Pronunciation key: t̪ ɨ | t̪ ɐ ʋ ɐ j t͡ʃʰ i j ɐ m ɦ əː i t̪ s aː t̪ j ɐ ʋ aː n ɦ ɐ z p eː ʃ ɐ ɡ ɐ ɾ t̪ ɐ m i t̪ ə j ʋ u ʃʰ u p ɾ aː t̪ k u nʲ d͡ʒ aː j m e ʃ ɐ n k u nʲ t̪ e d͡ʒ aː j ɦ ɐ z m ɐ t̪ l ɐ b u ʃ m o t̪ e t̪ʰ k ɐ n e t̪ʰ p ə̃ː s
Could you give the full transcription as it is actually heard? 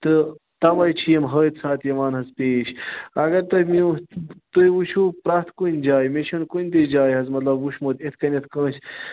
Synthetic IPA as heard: t̪ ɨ | t̪ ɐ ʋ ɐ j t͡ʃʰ i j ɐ m ɦ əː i t̪ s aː t̪ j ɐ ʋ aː n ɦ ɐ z p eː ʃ ɐ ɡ ɐ ɾ t̪ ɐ m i t̪ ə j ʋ u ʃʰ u p ɾ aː t̪ k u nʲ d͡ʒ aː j m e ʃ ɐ n k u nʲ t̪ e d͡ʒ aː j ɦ ɐ z m ɐ t̪ l ɐ b u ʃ m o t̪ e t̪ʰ k ɐ n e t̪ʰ k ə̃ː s

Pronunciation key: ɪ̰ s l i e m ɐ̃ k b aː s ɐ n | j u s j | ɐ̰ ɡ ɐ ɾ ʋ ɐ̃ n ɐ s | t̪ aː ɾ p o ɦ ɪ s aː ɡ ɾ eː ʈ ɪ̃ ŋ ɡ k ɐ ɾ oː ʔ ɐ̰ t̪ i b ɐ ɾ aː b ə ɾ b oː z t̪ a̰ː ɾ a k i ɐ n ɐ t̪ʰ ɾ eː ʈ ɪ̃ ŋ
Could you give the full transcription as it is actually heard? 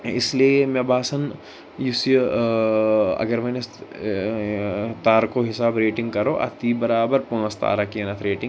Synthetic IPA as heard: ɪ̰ s l i e m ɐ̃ b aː s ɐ n | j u s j | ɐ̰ ɡ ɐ ɾ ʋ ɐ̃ n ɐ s | t̪ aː ɾ k o ɦ ɪ s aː b ɾ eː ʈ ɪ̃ ŋ ɡ k ɐ ɾ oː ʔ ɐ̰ t̪ i b ɐ ɾ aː b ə ɾ p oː s t̪ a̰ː ɾ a k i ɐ n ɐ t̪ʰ ɾ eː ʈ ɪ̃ ŋ

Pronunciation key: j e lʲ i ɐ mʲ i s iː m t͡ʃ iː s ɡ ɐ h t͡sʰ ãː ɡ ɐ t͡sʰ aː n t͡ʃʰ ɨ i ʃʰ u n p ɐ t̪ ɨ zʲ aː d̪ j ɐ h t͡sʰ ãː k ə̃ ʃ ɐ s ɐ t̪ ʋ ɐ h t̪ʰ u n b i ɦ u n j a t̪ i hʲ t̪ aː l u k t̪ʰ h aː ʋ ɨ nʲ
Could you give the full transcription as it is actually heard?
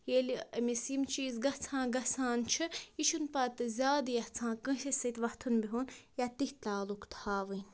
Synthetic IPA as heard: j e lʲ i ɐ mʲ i s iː m t͡ʃ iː z ɡ ɐ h t͡sʰ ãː ɡ ɐ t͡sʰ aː n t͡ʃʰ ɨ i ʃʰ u n p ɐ t̪ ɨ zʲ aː d̪ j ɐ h t͡sʰ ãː k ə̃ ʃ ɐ s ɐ t̪ ʋ ɐ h t̪ʰ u n b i ɦ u n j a t̪ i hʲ t̪ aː l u k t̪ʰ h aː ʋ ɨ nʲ

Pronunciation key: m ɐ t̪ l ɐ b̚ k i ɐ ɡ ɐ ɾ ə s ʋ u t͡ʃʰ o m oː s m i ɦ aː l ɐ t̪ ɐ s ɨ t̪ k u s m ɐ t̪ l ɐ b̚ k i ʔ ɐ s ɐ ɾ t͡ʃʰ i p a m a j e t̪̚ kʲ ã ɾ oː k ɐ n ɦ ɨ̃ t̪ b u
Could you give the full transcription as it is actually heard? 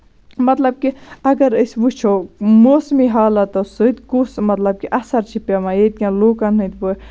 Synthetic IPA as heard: m ɐ t̪ l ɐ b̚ k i ɐ ɡ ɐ ɾ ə s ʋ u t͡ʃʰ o m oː s m i ɦ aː l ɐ t̪ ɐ s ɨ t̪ k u s m ɐ t̪ l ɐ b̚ k i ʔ ɐ s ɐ ɾ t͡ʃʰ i p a m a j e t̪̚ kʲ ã l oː k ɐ n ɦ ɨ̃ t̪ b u

